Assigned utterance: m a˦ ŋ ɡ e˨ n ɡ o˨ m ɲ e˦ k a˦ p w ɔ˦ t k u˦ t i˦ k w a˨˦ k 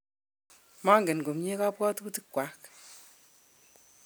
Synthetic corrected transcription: m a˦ ŋ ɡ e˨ n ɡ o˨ m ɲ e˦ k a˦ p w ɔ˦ t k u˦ t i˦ k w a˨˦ k